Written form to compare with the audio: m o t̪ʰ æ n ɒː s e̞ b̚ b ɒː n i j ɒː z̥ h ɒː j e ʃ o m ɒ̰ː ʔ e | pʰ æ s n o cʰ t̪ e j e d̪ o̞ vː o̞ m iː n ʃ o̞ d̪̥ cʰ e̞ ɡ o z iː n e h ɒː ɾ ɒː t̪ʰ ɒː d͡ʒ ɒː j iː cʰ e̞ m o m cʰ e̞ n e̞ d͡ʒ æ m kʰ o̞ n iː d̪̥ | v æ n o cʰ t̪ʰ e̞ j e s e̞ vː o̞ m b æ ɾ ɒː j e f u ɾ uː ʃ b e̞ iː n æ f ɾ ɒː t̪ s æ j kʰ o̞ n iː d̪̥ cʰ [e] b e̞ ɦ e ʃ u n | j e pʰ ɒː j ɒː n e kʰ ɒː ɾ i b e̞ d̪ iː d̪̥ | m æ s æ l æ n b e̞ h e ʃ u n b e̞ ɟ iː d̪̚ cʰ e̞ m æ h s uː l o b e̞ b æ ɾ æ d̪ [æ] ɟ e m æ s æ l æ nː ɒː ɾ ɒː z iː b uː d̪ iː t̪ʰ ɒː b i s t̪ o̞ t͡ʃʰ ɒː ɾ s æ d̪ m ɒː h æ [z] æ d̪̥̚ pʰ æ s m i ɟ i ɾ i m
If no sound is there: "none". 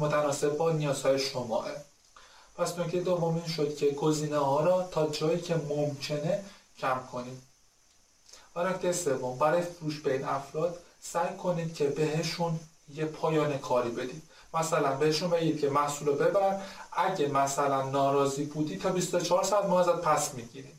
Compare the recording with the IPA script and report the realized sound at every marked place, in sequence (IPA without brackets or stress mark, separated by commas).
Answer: e, æ, z